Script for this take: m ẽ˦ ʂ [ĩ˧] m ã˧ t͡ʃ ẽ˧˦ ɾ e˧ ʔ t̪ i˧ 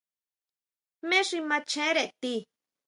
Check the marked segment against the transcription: incorrect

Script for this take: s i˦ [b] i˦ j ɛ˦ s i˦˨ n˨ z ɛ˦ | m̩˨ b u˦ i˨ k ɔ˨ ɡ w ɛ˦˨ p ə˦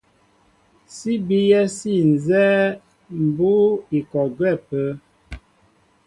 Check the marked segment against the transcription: correct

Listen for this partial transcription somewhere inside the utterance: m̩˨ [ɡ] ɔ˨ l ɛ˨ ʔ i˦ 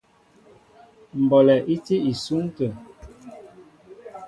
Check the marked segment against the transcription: incorrect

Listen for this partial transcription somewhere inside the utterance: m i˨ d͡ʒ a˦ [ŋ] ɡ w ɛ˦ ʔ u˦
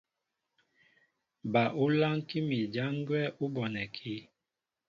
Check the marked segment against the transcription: correct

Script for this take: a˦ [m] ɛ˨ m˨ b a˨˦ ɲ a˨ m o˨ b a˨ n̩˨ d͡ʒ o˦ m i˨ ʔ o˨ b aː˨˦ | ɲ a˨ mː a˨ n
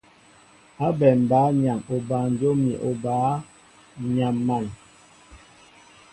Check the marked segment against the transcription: incorrect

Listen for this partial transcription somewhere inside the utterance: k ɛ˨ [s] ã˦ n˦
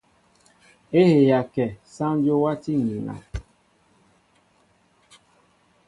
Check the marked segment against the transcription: correct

